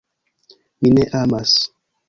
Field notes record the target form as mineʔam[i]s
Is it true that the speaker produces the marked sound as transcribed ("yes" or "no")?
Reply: no